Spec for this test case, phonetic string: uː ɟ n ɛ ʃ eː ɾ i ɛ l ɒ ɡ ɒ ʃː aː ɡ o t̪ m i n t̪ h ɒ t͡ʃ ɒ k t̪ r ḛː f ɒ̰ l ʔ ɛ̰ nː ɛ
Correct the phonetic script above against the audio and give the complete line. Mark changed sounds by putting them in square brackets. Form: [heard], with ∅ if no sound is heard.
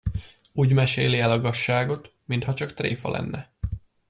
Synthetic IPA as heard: uː ɟ [m] ɛ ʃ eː [l] i ɛ l ɒ ɡ ɒ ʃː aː ɡ o t̪ m i n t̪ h ɒ t͡ʃ ɒ k t̪ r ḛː f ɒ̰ l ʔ ɛ̰ nː ɛ